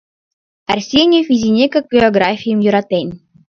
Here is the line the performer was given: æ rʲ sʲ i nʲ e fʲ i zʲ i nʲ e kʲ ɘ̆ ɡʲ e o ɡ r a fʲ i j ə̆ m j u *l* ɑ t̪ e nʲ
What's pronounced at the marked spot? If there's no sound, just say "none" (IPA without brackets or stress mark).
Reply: ɾ